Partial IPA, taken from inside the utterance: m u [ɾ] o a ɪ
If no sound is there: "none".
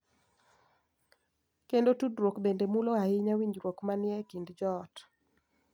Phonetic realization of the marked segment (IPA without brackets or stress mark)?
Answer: l